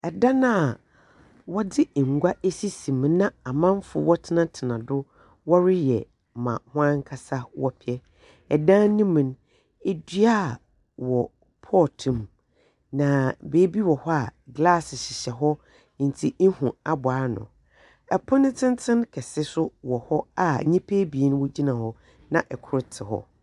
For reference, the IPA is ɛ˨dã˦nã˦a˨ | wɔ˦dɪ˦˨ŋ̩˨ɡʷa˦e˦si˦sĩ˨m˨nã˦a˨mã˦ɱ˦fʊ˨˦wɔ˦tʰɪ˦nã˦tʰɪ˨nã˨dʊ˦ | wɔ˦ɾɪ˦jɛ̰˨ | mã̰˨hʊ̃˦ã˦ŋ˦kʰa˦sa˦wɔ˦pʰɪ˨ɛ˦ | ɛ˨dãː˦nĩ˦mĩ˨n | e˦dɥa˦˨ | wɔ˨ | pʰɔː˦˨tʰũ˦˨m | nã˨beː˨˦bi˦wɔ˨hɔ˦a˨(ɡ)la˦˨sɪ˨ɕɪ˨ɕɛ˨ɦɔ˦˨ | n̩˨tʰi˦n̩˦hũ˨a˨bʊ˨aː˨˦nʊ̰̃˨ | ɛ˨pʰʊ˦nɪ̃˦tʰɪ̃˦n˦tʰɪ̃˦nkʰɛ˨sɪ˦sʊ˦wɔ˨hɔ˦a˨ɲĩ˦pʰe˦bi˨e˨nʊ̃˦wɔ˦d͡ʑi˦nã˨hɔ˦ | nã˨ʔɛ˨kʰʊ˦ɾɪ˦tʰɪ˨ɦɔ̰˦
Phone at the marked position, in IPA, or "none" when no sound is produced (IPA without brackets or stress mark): ɡ